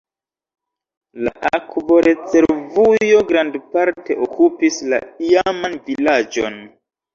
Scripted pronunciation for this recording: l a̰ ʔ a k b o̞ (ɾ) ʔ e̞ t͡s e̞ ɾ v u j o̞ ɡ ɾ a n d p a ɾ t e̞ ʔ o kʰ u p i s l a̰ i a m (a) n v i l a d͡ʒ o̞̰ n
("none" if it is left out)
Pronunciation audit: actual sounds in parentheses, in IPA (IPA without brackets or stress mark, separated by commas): ɾ, a